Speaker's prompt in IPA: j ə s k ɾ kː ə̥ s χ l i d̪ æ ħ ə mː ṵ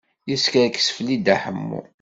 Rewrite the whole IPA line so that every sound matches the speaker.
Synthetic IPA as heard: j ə s k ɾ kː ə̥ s f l i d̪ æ ħ ə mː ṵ